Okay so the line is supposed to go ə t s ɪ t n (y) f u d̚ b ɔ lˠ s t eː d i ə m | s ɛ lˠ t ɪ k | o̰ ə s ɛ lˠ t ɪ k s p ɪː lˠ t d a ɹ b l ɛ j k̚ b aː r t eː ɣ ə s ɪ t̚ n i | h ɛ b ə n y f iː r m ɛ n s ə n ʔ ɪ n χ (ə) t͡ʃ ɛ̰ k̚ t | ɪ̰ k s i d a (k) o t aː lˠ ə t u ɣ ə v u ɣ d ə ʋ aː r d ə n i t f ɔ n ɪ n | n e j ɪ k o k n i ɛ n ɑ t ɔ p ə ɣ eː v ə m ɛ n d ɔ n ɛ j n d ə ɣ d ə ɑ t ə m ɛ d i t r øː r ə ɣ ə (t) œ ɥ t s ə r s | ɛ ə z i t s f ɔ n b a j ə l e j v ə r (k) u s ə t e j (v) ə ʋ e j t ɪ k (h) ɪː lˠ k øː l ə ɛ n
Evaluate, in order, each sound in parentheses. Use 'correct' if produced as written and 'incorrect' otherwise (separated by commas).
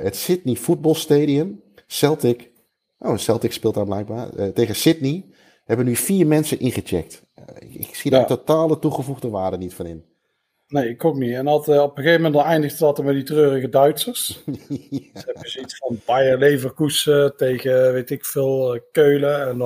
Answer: incorrect, correct, incorrect, incorrect, correct, incorrect, incorrect